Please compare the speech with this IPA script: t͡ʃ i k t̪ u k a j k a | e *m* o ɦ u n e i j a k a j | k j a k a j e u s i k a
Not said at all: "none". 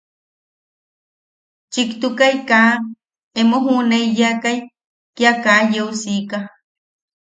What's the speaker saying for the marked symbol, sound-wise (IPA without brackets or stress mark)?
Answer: m